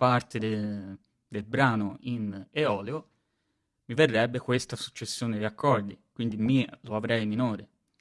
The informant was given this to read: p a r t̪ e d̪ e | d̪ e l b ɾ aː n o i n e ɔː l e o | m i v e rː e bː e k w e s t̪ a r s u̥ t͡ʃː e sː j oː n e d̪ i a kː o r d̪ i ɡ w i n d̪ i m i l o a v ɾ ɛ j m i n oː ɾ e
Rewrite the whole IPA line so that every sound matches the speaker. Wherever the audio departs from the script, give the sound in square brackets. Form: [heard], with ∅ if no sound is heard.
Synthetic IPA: p a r t̪ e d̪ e | d̪ e l b ɾ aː n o i n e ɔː l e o | m i v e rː [ɛ] bː e k w e s t̪ a [∅] s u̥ t͡ʃː e sː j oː n e d̪ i a kː [ɔ] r d̪ i [k] w i n d̪ i m i l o a v ɾ ɛ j m i n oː ɾ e